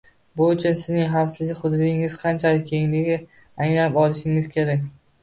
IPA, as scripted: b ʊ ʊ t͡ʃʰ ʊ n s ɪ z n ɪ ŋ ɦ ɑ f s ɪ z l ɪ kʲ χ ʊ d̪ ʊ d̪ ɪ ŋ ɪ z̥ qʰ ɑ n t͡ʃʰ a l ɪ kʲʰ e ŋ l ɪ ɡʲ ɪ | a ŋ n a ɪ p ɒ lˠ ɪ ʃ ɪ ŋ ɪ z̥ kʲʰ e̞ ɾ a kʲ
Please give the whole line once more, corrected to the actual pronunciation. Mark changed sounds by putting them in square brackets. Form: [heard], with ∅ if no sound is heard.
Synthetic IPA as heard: b ʊ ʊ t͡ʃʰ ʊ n s ɪ z n ɪ ŋ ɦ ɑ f s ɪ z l ɪ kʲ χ ʊ d̪ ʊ d̪ ɪ ŋ ɪ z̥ qʰ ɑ n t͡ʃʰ a l ɪ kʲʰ e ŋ l ɪ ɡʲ ɪ | a ŋ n a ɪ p ɒ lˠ ɪ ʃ ɪ ŋ ɪ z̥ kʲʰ e̞ ɾ a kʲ